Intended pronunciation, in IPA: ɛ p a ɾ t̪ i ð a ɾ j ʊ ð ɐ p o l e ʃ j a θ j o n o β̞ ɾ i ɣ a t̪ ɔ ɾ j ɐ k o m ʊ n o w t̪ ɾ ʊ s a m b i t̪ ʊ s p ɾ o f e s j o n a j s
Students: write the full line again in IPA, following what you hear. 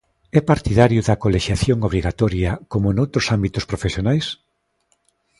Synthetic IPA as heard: ɛ p a ɾ t̪ i ð a ɾ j ʊ ð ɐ k o l e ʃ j a θ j o ŋ o β̞ ɾ i ɣ a t̪ ɔ ɾ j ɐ k o m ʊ n o w t̪ ɾ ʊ s a m b i t̪ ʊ s p ɾ o f e s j o n a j s

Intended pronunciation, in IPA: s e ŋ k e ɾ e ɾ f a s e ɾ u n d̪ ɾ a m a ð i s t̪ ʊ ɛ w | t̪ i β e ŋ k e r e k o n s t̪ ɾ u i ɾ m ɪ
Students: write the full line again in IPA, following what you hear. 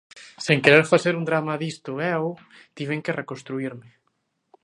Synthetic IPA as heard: s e ŋ k e ɾ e ɾ f a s e ɾ u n d̪ ɾ a m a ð i s t̪ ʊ ɛ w | t̪ i β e ŋ k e r e k o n s t̪ ɾ u i ɾ m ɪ

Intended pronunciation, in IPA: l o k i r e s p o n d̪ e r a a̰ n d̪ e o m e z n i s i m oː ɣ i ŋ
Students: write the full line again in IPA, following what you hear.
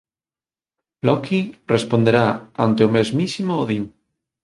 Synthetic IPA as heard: l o k i r e s p o n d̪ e ɾ a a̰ n t̪ e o m e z m i s i m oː ð i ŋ

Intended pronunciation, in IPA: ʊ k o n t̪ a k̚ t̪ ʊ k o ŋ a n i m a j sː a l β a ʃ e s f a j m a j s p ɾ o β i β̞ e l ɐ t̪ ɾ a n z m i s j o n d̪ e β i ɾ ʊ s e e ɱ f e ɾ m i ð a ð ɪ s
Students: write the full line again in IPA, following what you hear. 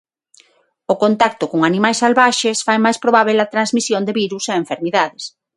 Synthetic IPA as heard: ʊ k o n t̪ a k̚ t̪ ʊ k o ŋ a n i m a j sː a l β a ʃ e s f a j m a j s p ɾ o β a β̞ e l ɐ t̪ ɾ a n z m i s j o n d̪ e β i ɾ u s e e ɱ f e ɾ m i ð a ð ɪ s

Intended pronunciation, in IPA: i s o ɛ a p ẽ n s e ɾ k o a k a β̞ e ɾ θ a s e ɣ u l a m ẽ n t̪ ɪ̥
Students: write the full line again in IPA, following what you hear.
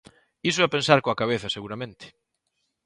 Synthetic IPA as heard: i s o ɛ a p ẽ n s a ɾ k o a k a β̞ e θ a s e ɣ u ɾ a m ẽ n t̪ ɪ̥

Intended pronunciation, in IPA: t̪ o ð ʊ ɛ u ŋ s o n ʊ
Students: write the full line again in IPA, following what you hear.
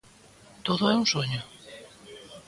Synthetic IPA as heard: t̪ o ð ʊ ɛ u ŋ s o ɲ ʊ

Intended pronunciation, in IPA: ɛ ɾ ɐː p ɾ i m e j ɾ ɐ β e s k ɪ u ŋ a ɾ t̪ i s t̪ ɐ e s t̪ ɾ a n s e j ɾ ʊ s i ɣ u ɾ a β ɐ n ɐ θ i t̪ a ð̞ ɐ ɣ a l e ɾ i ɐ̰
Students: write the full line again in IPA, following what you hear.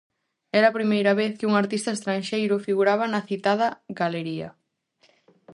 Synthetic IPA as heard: ɛ ɾ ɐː p ɾ i m e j ɾ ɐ β e θ k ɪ u ŋ a ɾ t̪ i s t̪ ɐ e s t̪ ɾ a n ʃ e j ɾ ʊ f i ɣ u ɾ a β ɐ n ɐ θ i t̪ a ð̞ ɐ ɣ a l e ɾ i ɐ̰

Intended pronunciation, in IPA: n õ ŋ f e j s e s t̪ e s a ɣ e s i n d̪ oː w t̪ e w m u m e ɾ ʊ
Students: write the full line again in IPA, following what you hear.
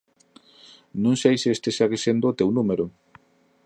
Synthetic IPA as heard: n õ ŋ s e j s e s t̪ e s a ɣ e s e n d̪ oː t̪ e w n u m e ɾ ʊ

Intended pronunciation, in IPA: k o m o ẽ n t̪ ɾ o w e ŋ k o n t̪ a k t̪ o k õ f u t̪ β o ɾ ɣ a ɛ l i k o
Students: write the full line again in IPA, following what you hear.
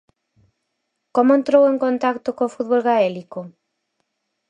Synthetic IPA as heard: k o m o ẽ n t̪ ɾ o w e ŋ k o n t̪ a k t̪ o k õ f u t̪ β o l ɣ a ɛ l i k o

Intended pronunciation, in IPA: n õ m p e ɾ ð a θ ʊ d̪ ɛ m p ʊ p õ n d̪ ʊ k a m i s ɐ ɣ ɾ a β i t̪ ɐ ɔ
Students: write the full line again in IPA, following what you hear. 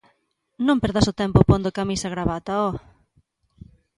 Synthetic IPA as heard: n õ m p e ɾ ð a s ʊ t̪ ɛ m p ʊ p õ n d̪ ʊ k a m i s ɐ ɣ ɾ a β a t̪ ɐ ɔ

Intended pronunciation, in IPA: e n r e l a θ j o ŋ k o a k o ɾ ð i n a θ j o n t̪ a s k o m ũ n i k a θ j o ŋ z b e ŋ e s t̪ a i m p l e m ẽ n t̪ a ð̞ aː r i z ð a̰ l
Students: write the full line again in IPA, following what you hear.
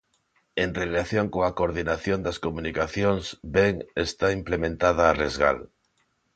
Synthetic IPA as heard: e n r e l a θ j o ŋ k o a k o ɾ ð i n a θ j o n d̪ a s k o m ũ n i k a θ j o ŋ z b e ŋ e s t̪ a i m p l e m ẽ n t̪ a ð̞ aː r e z ɣ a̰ l

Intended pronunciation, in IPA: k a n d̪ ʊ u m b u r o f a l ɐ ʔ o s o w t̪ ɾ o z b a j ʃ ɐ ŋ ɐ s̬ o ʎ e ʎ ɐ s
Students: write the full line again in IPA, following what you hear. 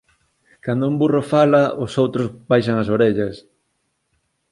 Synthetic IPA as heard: k a n d̪ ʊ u m b u r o f a l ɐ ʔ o s o w t̪ ɾ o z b a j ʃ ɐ ŋ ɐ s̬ o ɾ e ʎ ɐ s

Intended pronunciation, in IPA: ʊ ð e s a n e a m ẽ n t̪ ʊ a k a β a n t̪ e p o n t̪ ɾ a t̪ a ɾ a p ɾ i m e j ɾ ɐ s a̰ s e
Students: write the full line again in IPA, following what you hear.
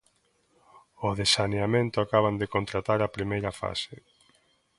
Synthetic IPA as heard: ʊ ð e s a n e a m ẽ n t̪ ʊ a k a β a n d̪ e k o n t̪ ɾ a t̪ a ɾ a p ɾ i m e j ɾ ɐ f a̰ s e

